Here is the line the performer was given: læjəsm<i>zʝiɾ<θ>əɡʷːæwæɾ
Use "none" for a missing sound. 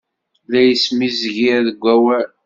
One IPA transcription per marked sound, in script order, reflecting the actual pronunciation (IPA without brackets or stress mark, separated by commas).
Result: i, ð